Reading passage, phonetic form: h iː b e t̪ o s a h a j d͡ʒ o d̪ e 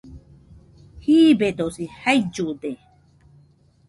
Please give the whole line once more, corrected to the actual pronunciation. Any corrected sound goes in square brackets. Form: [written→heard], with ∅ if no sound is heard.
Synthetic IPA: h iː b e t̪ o s [a→i] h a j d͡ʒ [o→u] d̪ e

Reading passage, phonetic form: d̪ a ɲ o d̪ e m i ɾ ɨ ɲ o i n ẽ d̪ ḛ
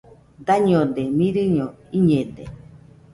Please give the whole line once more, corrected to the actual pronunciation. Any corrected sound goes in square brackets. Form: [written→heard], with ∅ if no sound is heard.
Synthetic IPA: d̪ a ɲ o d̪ e m i ɾ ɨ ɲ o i [n→ɲ] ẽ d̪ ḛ

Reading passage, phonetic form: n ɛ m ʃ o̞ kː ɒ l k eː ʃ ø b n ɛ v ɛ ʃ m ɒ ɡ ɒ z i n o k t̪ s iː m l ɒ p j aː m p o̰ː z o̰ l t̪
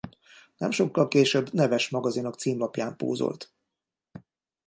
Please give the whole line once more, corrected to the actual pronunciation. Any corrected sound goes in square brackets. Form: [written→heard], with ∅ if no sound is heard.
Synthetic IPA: n ɛ m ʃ o̞ kː ɒ l k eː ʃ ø b n ɛ v ɛ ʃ m ɒ ɡ ɒ z i n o k t̪ s iː m l ɒ p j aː m p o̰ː z o̰ l t̪

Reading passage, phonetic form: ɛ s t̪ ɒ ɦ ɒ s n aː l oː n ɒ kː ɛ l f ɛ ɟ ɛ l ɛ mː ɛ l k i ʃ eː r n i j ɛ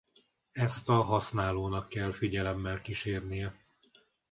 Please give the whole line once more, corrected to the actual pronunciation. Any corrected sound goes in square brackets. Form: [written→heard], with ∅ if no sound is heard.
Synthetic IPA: ɛ s t̪ ɒ ɦ ɒ s n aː l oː n ɒ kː ɛ l f [ɛ→i] ɟ ɛ l ɛ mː ɛ l k i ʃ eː r n i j ɛ

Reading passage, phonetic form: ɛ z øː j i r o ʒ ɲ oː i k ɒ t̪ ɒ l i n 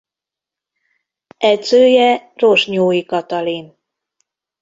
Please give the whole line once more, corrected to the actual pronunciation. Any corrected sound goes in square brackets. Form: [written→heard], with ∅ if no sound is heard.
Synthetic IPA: ɛ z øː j [i→ɛ] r o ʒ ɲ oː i k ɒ t̪ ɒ l i n

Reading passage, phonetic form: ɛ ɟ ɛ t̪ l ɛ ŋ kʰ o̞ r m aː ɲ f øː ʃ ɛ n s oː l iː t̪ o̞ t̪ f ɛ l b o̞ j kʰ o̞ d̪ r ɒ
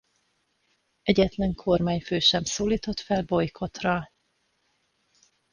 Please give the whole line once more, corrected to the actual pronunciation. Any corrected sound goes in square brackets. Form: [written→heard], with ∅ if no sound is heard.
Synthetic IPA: ɛ ɟ ɛ t̪ l ɛ ŋ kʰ o̞ r m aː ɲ f øː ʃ ɛ [n→m] s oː l iː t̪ o̞ t̪ f ɛ l b o̞ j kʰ o̞ [d̪→t̪] r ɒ

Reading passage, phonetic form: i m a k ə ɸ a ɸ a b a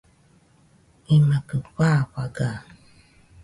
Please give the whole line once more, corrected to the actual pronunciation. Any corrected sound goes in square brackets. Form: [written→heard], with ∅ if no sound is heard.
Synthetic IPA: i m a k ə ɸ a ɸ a [b→ɡ] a

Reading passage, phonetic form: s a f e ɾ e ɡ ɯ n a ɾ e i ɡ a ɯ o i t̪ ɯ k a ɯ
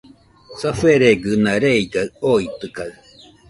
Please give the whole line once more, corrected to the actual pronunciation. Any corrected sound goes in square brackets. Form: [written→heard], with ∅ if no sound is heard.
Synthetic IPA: s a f e ɾ e ɡ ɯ n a ɾ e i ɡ a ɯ o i t̪ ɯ k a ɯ

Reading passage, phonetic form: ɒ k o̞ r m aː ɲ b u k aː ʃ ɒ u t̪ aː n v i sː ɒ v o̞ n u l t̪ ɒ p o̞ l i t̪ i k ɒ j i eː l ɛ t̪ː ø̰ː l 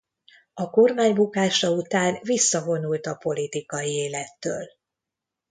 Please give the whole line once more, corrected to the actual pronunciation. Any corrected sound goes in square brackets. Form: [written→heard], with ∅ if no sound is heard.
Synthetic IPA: ɒ k o̞ r m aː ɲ b u k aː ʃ ɒ u t̪ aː n v i sː ɒ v o̞ n u l t̪ ɒ p o̞ l i t̪ i k ɒ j i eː l ɛ t̪ː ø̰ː l

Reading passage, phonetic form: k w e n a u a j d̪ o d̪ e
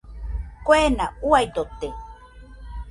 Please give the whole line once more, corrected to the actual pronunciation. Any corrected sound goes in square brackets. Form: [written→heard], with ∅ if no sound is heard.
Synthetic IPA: k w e n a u a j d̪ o [d̪→t̪] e

